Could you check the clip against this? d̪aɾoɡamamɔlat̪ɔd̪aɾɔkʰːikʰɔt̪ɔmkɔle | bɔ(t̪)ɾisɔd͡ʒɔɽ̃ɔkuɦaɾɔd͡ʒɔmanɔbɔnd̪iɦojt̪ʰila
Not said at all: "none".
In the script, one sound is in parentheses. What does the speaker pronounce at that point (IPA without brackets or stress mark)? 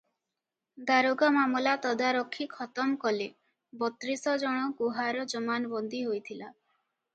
t̪